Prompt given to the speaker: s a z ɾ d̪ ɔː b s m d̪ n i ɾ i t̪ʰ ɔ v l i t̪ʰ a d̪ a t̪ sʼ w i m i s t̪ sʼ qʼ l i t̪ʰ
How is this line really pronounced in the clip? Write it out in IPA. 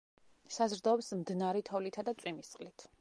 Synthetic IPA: s a z ɾ d̪ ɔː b s m d̪ n a ɾ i t̪ʰ ɔ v l i t̪ʰ a d̪ a t̪ sʼ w i m i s t̪ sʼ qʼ l i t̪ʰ